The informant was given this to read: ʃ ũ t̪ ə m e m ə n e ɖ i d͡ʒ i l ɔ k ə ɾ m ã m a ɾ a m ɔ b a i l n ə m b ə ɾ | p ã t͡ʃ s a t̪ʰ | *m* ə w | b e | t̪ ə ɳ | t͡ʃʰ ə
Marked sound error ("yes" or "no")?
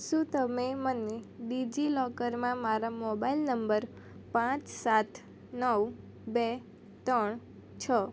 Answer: yes